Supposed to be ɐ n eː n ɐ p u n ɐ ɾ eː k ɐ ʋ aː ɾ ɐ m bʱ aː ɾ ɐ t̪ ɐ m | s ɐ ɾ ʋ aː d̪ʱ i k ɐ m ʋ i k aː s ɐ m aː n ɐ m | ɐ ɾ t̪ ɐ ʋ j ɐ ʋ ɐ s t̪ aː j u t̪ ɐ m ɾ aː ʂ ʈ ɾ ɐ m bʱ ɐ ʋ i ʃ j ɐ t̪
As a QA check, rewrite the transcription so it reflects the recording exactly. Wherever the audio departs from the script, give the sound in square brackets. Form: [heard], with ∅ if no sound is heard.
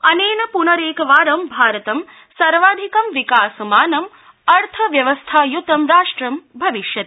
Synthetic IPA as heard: ɐ n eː n ɐ p u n ɐ ɾ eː k ɐ ʋ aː ɾ ɐ m bʱ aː ɾ ɐ t̪ ɐ m | s ɐ ɾ ʋ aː d̪ʱ i k ɐ m ʋ i k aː s ɐ m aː n ɐ m | ɐ ɾ [t̪ʰ] ɐ ʋ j ɐ ʋ ɐ s [t̪ʰ] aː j u t̪ ɐ m ɾ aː ʂ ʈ ɾ ɐ m bʱ ɐ ʋ i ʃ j ɐ t̪